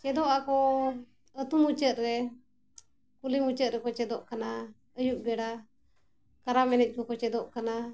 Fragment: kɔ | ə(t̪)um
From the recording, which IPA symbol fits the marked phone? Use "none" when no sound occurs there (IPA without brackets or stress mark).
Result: t̪